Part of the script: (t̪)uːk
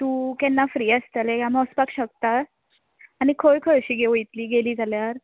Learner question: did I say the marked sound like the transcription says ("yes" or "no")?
yes